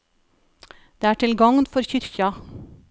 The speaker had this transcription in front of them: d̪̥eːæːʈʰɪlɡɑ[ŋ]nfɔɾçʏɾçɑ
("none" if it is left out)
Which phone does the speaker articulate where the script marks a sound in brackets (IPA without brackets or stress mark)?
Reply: ŋ